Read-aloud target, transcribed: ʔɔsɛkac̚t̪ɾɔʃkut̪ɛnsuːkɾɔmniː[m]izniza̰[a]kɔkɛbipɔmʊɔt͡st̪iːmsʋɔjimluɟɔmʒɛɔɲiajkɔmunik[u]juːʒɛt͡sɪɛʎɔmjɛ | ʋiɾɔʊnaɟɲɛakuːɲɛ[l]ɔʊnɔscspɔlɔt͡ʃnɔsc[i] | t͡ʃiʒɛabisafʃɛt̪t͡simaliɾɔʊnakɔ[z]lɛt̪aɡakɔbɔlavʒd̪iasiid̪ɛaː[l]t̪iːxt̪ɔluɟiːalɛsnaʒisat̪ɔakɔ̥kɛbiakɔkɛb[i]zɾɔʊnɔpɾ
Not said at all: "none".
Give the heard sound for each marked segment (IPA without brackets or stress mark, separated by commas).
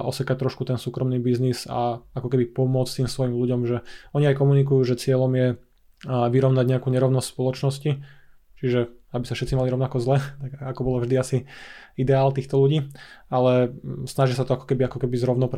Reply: b, a, u, ɾ, i, z, l, i